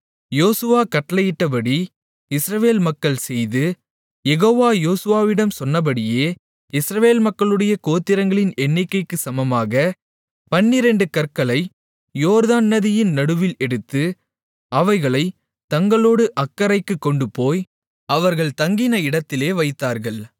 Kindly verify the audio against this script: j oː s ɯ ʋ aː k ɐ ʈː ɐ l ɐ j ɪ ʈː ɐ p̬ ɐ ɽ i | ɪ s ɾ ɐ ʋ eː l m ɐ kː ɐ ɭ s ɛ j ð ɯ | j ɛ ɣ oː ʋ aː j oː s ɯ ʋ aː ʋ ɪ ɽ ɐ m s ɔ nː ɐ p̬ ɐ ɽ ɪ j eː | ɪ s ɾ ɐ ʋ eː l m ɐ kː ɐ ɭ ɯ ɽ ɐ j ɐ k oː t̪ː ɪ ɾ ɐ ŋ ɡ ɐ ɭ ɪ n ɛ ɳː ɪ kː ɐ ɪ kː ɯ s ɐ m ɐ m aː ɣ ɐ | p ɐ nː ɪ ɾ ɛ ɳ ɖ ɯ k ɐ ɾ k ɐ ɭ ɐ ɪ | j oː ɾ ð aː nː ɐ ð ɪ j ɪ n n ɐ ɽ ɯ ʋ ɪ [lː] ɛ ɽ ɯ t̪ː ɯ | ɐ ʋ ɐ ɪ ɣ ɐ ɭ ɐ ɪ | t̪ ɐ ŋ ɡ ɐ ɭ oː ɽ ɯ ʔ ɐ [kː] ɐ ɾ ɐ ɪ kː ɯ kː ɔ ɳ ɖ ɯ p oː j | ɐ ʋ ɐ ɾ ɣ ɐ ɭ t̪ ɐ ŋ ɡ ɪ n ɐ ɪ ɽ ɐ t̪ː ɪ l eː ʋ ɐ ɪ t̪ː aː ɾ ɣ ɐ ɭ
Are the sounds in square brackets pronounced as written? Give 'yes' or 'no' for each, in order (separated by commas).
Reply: no, yes